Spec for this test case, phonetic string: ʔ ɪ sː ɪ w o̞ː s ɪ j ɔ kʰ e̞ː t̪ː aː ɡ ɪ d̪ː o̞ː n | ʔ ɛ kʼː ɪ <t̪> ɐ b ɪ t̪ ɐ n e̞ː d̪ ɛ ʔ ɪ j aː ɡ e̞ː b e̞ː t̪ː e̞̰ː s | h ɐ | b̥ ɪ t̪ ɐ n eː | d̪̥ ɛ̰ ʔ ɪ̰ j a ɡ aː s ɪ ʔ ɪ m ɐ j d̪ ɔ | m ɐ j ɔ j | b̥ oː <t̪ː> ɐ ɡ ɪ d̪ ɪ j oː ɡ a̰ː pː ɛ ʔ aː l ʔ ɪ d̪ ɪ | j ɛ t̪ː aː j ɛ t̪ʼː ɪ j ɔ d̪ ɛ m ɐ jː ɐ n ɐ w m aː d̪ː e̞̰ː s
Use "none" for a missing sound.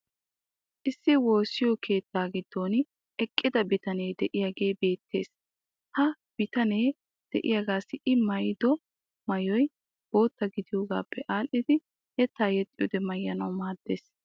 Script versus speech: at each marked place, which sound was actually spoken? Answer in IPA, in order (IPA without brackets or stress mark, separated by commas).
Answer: d̪, t̪ː